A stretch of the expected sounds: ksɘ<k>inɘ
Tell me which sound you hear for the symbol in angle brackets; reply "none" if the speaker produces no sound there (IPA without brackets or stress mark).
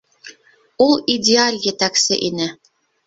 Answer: ʔ